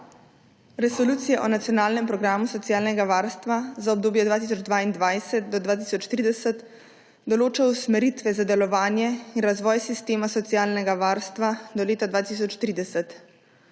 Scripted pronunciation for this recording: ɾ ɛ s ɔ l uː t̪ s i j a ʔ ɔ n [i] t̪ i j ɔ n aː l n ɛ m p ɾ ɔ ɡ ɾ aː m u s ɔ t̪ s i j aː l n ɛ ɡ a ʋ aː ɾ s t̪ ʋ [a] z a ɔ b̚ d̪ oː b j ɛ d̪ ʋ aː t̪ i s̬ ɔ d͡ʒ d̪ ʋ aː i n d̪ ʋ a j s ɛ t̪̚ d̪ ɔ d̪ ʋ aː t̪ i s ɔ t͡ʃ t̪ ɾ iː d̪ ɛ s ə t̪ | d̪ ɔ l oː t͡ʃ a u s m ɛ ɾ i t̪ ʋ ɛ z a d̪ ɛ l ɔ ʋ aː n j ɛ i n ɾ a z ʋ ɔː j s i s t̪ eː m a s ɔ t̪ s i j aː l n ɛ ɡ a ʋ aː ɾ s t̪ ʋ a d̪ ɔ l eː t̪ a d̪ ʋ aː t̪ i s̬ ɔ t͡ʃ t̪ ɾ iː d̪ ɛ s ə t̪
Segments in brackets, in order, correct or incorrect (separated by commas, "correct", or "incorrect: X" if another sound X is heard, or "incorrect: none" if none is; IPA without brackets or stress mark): incorrect: a, correct